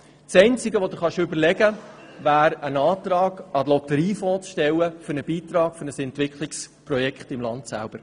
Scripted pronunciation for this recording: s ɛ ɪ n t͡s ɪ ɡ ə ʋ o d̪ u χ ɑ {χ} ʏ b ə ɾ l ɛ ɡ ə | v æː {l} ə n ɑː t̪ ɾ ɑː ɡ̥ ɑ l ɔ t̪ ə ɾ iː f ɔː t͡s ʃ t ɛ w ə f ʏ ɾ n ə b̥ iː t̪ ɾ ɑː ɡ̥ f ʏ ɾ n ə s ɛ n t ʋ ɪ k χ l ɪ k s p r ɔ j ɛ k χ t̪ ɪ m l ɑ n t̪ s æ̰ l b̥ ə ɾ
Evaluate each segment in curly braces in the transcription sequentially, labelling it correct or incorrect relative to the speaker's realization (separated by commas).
incorrect, incorrect